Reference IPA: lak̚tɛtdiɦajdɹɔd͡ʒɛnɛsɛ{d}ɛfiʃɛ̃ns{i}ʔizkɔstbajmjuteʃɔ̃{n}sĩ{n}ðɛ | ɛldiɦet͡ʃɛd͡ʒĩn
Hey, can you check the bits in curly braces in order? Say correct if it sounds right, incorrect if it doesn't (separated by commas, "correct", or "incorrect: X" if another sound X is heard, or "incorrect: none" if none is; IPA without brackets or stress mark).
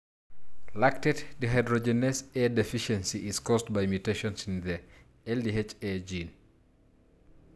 correct, correct, correct, correct